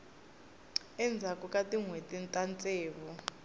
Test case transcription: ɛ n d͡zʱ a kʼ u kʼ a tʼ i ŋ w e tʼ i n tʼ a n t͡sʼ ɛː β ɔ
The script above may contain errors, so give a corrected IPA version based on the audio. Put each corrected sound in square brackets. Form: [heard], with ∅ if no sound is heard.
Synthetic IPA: ɛ n d͡zʱ a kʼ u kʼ a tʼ i ŋ w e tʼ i n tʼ a n t͡sʼ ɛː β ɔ